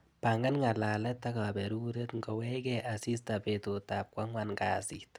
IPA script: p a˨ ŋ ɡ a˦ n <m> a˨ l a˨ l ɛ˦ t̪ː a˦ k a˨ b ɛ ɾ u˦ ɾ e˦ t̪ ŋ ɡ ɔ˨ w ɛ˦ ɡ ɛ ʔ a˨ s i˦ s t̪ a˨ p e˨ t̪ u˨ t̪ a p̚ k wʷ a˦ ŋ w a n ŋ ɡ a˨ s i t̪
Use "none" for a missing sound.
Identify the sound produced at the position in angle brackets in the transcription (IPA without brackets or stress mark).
ŋ